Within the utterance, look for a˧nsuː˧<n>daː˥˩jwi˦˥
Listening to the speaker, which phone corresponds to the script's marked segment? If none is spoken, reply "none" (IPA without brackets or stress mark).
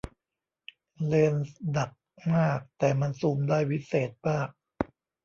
m